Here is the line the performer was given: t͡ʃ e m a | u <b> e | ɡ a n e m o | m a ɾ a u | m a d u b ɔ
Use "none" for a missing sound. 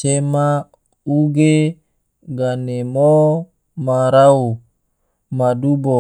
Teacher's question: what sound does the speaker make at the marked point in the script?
ɡ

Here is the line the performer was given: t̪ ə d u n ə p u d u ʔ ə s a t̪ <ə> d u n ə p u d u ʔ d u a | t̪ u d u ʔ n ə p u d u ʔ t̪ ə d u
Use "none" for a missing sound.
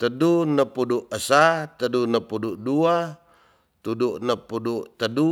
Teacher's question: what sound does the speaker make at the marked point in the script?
ə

